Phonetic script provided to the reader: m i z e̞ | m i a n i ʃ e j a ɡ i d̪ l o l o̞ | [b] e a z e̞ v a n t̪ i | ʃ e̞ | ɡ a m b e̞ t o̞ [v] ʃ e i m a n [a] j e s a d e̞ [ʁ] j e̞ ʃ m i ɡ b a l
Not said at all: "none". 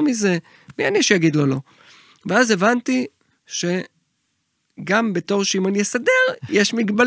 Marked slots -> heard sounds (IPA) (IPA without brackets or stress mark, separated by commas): v, ʁ, i, ʁ